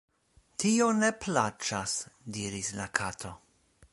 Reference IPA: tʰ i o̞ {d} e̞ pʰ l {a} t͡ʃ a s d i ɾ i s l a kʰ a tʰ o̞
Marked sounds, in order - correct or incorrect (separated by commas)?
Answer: incorrect, correct